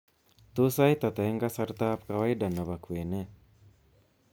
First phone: t̪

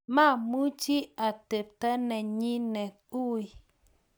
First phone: m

